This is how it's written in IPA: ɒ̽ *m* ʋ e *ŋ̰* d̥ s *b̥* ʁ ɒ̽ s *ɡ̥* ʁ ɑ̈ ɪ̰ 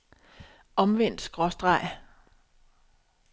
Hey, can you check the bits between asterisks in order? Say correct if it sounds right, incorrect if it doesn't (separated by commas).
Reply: correct, incorrect, incorrect, incorrect